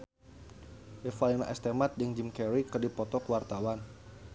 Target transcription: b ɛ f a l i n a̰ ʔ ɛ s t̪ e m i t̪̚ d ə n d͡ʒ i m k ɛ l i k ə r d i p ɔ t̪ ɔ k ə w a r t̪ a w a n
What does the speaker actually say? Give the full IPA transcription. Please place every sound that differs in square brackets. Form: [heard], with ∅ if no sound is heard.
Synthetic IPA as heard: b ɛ f a l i n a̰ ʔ ɛ s t̪ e m [a] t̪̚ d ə [ŋ] d͡ʒ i m k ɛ [ɾ] i k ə r d i p ɔ t̪ ɔ k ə w a r t̪ a w a n